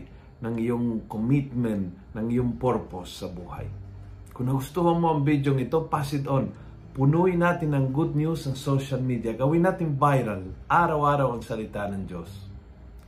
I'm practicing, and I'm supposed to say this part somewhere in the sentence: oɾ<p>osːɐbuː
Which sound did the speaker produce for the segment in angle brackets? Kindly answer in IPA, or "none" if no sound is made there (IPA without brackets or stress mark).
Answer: p